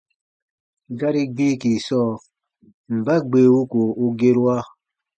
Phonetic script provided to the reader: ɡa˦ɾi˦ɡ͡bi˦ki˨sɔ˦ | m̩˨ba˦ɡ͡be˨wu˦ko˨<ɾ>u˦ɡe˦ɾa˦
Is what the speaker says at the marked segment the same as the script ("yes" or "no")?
no